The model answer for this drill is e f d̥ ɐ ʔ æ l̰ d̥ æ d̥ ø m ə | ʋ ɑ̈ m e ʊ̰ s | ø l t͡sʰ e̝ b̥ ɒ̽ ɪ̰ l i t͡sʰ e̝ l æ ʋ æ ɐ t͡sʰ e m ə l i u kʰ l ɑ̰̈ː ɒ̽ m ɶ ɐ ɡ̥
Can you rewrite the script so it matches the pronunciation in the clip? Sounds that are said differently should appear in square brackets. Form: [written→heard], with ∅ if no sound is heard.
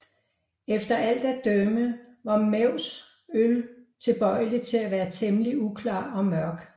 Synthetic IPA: e f d̥ ɐ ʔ æ l̰ d̥ æ d̥ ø m ə | ʋ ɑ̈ m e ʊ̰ s | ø l t͡sʰ e̝ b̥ ɒ̽ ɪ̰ l i t͡sʰ e̝ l æ ʋ [æ→æː] ɐ t͡sʰ e m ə l i u kʰ l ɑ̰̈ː ɒ̽ m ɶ ɐ ɡ̥